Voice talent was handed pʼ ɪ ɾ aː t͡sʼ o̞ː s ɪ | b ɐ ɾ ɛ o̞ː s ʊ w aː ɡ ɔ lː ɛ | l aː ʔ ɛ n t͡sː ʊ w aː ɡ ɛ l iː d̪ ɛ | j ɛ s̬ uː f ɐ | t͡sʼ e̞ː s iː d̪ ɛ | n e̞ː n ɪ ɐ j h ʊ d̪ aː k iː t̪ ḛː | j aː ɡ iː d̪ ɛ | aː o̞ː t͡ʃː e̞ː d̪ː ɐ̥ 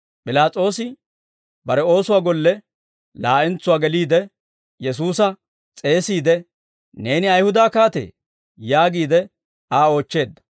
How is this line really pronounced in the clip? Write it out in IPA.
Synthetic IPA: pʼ ɪ l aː t͡sʼ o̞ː s ɪ | b ɐ ɾ ɛ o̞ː s ʊ w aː ɡ ɔ lː ɛ | l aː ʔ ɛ n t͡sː ʊ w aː ɡ ɛ l iː d̪ ɛ | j ɛ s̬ uː s ɐ | t͡sʼ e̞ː s iː d̪ ɛ | n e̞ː n ɪ ɐ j h ʊ d̪ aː k aː t̪ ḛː | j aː ɡ iː d̪ ɛ | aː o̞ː t͡ʃː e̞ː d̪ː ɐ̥